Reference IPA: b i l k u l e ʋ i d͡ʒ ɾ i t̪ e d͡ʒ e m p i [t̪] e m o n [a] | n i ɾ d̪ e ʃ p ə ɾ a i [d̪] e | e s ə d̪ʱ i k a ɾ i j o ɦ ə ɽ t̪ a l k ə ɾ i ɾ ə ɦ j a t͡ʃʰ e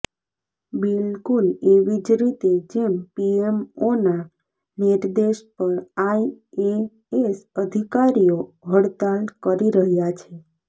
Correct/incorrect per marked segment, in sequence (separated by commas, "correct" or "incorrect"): incorrect, correct, incorrect